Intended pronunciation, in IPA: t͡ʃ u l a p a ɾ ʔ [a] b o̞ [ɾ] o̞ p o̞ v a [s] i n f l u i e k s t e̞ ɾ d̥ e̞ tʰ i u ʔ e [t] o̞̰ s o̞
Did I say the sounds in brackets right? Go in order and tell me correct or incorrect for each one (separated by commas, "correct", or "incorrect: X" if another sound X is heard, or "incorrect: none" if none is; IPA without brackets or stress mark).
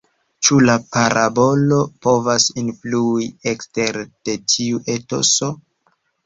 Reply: correct, incorrect: l, correct, correct